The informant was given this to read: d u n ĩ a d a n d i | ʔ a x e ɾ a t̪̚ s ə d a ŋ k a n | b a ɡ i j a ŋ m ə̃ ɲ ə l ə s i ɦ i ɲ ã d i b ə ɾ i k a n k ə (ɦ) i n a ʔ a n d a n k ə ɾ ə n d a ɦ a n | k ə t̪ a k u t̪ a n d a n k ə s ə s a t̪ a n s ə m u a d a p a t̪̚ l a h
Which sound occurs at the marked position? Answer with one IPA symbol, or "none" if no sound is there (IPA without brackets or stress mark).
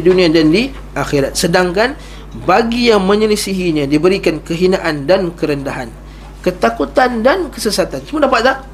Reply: ɦ